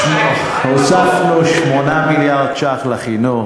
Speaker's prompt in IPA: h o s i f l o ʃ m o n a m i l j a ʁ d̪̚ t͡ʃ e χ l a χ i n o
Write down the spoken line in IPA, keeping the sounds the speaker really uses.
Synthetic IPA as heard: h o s a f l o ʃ m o n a m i l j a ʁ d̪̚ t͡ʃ a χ l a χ i n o